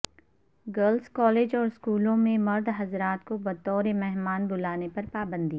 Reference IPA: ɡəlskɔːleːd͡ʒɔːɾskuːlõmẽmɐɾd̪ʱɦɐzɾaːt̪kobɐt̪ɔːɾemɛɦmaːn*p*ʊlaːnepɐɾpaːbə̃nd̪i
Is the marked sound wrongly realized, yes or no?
yes